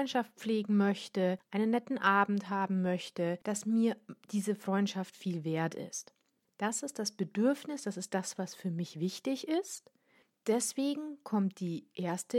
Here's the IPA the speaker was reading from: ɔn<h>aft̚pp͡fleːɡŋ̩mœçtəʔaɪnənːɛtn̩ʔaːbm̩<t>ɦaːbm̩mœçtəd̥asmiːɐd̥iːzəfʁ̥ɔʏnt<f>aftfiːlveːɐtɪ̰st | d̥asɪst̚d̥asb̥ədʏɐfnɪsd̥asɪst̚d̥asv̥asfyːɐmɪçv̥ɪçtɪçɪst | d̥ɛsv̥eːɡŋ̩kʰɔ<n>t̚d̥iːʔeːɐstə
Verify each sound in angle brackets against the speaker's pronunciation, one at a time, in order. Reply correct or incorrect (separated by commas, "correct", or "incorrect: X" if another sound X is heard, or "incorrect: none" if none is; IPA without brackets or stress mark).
incorrect: ʃ, correct, incorrect: ʃ, incorrect: m